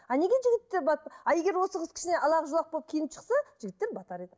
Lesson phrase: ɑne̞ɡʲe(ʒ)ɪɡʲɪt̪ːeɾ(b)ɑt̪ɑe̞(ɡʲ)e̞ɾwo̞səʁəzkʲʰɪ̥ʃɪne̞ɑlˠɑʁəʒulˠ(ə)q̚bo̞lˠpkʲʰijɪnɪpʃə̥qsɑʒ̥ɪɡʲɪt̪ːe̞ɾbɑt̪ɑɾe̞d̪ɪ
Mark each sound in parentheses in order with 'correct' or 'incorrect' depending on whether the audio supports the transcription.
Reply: correct, correct, correct, incorrect: ɑ

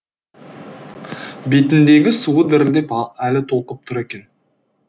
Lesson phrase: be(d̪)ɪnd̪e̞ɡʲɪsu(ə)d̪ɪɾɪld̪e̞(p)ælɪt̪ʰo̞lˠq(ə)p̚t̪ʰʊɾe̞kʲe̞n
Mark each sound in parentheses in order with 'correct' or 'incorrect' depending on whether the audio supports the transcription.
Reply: incorrect: t̪, correct, correct, correct

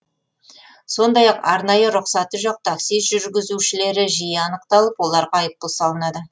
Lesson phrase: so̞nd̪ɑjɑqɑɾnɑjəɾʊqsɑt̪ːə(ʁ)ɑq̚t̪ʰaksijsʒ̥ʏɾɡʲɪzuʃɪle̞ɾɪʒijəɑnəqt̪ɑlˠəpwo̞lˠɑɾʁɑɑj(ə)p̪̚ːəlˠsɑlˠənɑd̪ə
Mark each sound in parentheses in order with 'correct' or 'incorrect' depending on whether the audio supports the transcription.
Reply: incorrect: ʒ, correct

